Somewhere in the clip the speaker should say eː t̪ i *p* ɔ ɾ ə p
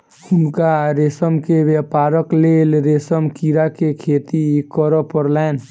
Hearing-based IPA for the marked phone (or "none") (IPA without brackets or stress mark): k